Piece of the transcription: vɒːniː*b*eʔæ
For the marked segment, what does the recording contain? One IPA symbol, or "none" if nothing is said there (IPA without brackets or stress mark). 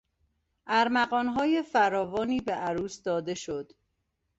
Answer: b